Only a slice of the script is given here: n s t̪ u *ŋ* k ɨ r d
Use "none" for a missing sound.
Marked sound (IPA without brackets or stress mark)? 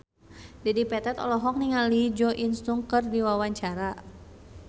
ŋ